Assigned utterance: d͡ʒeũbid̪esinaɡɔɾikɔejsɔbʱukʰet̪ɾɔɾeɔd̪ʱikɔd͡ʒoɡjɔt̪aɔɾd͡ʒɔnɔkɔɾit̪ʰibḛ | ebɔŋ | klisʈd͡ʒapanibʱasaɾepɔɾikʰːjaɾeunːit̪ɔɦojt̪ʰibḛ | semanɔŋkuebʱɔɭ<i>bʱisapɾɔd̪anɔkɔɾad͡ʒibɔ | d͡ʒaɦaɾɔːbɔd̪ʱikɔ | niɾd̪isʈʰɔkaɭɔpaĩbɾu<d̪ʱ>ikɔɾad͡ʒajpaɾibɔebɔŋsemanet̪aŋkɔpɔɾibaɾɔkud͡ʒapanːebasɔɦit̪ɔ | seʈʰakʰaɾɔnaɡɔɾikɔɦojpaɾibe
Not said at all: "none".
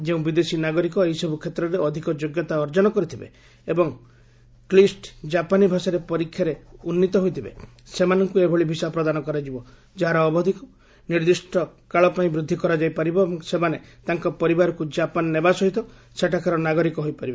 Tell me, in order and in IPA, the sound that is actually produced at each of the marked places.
i, d̪ʱː

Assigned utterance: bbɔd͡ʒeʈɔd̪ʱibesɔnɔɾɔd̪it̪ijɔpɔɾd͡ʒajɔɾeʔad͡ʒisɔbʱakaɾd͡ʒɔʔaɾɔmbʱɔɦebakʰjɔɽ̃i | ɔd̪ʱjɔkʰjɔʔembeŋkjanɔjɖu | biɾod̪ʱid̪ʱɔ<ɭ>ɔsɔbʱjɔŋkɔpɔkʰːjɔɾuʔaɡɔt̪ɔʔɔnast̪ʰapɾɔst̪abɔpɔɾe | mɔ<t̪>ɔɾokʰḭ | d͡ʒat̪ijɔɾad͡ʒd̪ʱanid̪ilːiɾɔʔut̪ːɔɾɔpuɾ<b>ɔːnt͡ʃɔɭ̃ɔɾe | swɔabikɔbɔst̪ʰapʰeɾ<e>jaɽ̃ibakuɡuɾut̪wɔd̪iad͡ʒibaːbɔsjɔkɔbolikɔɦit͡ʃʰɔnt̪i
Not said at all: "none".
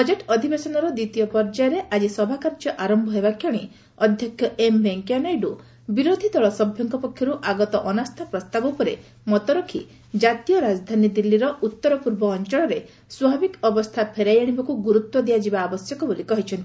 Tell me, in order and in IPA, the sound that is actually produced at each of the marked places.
ɭ, t̪, b, a

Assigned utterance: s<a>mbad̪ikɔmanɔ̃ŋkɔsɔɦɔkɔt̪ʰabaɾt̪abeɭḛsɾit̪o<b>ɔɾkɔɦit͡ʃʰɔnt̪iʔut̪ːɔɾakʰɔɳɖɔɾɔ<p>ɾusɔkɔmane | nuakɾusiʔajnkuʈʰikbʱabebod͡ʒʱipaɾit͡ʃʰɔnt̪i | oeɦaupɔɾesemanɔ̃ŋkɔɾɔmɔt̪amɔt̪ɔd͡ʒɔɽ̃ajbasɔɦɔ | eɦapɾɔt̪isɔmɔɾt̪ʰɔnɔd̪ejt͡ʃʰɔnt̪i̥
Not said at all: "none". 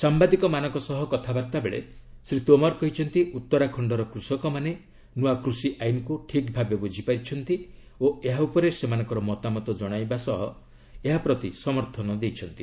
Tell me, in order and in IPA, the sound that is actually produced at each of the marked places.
a, m, k

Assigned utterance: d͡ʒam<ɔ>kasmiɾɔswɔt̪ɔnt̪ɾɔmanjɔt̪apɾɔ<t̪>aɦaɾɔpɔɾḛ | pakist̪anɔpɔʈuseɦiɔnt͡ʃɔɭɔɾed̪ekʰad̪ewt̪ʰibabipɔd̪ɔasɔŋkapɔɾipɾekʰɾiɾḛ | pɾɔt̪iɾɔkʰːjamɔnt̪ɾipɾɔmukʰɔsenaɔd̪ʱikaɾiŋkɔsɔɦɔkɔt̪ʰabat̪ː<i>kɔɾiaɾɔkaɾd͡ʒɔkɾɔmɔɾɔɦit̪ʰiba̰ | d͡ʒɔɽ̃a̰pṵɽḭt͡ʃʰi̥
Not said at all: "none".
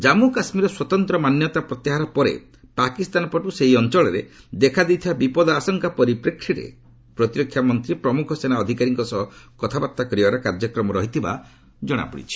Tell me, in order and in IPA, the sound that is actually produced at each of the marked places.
u, t̪, a

